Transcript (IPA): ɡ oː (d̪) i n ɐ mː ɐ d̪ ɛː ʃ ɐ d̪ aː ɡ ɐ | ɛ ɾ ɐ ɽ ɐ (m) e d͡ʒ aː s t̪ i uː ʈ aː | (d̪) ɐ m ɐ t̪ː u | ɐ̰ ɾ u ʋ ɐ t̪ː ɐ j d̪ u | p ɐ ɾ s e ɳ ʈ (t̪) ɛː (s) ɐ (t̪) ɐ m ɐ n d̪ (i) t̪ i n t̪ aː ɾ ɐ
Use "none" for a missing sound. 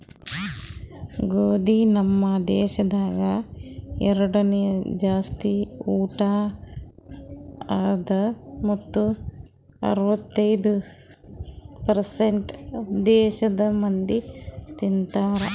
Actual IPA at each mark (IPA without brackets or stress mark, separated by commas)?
d̪, n, d̪, d̪, ʃ, d̪, i